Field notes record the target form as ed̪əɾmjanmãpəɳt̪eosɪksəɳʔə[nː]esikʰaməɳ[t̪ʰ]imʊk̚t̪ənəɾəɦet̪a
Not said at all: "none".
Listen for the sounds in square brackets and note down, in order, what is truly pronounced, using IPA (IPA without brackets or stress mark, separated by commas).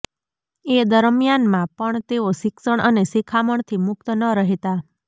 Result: n, t̪ʰ